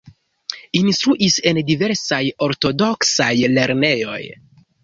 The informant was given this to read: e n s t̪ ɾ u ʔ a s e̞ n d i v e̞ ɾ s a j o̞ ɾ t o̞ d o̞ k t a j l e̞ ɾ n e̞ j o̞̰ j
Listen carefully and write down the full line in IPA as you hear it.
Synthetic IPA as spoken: i n s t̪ ɾ u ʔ i s e̞ n d i v e̞ ɾ s a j o̞ ɾ t o̞ d o̞ k s a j l e̞ ɾ n e̞ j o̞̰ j